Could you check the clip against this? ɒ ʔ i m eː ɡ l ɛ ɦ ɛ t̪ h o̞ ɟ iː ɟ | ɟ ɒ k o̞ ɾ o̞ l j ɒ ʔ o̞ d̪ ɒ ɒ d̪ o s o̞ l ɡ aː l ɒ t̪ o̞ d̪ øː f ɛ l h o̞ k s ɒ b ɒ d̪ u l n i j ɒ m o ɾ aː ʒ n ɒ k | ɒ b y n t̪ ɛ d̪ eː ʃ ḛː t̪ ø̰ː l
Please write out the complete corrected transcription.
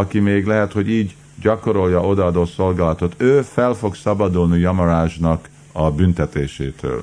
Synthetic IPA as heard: ɒ k i m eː ɡ l ɛ ɦ ɛ t̪ h o̞ ɟ iː ɟ | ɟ ɒ k o̞ ɾ o̞ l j ɒ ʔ o̞ d̪ ɒ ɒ d̪ o s o̞ l ɡ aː l ɒ t̪ o̞ t̪ øː f ɛ l f o̞ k s ɒ b ɒ d̪ u l n i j ɒ m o ɾ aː ʒ n ɒ k | ɒ b y n t̪ ɛ t̪ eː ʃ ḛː t̪ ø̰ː l